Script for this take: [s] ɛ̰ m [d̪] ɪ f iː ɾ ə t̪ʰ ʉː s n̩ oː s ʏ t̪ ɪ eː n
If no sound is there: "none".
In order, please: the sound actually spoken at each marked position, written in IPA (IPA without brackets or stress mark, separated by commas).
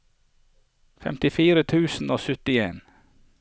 f, t̪